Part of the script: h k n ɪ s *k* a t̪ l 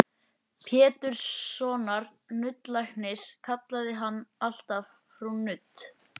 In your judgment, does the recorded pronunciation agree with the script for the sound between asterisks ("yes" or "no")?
no